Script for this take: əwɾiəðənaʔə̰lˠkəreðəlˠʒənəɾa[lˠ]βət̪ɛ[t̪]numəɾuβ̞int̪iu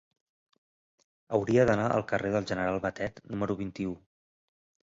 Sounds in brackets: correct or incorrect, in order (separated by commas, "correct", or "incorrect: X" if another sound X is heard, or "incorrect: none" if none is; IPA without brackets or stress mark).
correct, correct